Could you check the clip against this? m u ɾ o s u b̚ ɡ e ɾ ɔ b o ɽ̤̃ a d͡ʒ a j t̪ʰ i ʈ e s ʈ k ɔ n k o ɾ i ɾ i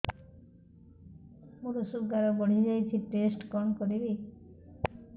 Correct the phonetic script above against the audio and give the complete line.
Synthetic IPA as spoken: m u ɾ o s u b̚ ɡ a ɾ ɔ b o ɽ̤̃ i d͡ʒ a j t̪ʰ i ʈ e s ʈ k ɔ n k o ɾ i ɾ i